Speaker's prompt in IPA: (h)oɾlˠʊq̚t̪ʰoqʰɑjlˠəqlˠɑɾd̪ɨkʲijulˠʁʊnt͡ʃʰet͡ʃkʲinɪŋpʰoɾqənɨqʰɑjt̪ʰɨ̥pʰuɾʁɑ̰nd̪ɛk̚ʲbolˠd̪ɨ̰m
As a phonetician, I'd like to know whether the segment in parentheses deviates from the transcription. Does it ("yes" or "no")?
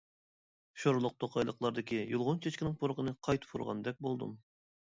yes